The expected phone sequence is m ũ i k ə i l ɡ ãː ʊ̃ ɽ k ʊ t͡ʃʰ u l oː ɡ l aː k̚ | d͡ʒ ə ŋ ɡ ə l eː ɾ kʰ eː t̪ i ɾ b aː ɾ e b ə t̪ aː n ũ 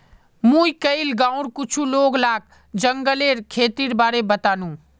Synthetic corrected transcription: m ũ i k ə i l ɡ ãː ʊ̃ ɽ k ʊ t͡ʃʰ u l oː ɡ l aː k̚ | d͡ʒ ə ŋ ɡ ə l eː ɾ kʰ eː t̪ i ɾ b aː ɾ e b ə t̪ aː n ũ